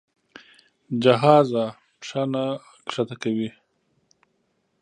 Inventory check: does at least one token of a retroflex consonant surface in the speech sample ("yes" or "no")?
yes